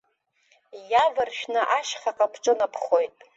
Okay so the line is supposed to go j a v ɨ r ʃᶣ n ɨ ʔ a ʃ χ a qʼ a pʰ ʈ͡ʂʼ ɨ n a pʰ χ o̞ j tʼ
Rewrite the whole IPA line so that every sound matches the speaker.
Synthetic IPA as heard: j a v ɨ r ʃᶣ n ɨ ʔ a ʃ χ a qʼ a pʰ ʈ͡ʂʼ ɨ n a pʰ χ o̞ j tʼ